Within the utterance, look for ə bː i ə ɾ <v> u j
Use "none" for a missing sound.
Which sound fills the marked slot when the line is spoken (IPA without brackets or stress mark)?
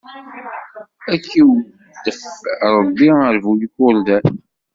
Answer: v